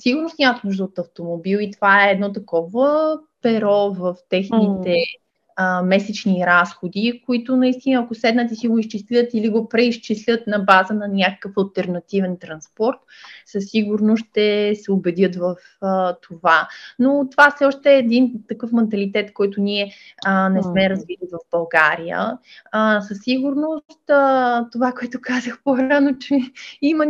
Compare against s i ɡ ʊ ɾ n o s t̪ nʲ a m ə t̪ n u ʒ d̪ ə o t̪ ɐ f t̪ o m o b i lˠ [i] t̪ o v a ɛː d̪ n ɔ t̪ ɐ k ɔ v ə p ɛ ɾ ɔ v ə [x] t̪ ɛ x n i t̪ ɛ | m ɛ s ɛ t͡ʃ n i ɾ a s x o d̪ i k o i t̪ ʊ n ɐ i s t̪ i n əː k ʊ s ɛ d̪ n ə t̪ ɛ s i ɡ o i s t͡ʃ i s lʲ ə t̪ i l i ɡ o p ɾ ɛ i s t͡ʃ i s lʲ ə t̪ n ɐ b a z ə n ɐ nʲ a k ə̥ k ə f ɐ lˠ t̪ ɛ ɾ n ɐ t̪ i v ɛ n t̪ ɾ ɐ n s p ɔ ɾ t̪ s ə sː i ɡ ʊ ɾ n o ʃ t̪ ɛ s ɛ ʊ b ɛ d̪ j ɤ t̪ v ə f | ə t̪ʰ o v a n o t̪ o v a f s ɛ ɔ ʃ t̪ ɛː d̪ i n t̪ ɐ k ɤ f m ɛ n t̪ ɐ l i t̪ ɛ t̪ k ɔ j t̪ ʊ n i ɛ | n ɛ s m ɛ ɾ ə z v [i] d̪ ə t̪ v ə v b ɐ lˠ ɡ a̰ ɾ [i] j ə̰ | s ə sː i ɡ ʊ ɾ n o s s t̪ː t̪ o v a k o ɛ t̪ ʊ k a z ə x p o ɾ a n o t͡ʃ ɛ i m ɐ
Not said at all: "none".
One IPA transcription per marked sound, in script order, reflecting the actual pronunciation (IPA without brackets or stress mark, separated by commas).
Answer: i, f, i, i